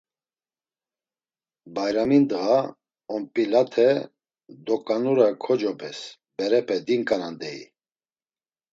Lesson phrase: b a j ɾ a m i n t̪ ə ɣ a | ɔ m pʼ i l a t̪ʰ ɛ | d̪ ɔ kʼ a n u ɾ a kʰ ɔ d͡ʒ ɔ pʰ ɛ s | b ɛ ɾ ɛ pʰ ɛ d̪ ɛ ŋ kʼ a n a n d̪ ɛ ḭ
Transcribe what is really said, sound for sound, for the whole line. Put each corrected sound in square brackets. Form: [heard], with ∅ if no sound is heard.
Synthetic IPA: b a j ɾ a m i n [d̪] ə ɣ a | ɔ m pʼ i l a t̪ʰ ɛ | d̪ ɔ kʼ a n u ɾ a kʰ ɔ d͡ʒ ɔ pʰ ɛ s | b ɛ ɾ ɛ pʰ ɛ d̪ [i] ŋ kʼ a n a n d̪ ɛ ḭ